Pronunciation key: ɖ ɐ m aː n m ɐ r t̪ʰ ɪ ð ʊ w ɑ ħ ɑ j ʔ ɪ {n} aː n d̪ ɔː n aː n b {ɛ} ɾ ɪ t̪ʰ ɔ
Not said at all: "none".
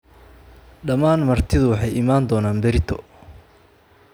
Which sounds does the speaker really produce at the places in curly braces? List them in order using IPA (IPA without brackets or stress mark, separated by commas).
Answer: m, ɛ